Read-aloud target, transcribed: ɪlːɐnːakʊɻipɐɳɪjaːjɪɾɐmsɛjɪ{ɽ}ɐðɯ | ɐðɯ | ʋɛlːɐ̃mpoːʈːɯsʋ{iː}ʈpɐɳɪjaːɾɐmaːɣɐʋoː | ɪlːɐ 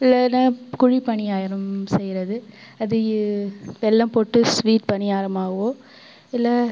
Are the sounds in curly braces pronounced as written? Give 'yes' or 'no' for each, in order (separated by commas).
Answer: no, yes